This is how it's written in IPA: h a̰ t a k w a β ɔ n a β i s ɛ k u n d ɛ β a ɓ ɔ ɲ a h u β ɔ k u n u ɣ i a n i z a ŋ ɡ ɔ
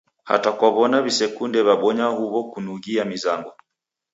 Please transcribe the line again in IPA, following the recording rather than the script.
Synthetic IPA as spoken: h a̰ t a k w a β ɔ n a β i s ɛ k u n d ɛ β a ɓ ɔ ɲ a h u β ɔ k u n u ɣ i a m i z a ŋ ɡ ɔ